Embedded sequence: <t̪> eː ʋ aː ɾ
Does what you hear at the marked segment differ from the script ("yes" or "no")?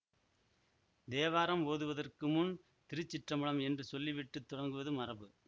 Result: yes